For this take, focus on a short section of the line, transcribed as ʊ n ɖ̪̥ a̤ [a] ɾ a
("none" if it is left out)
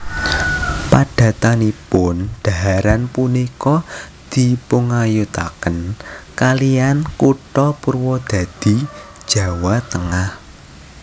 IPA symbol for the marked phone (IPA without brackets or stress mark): a